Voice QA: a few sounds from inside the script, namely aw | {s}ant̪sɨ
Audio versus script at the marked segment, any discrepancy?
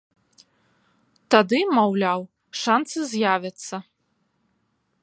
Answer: yes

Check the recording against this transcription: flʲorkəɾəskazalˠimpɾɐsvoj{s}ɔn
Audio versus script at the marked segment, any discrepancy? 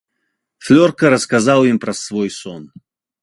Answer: no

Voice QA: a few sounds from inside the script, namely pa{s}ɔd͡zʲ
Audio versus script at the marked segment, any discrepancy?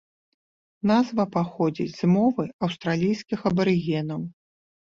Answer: yes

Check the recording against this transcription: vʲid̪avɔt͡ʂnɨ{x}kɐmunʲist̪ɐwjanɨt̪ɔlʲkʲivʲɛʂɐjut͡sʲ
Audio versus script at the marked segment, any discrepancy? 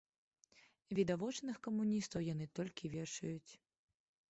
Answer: no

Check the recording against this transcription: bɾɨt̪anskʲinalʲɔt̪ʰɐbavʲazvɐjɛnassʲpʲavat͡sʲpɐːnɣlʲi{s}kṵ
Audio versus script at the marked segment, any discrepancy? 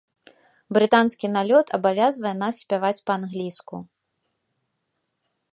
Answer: no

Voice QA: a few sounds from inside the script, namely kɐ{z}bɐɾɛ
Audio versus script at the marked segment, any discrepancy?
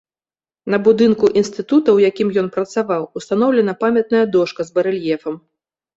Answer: no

